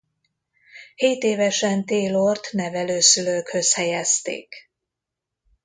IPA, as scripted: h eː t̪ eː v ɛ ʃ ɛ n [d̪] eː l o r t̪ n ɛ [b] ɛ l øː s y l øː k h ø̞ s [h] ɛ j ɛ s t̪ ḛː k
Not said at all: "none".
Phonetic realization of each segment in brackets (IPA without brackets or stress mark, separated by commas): t̪, v, h